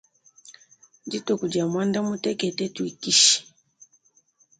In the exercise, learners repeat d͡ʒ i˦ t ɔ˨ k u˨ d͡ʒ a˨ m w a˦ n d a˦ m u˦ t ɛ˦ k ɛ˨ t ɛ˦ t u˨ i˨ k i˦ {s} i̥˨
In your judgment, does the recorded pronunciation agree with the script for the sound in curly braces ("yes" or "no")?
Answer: no